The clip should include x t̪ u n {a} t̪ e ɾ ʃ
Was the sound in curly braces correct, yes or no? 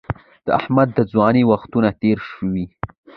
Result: yes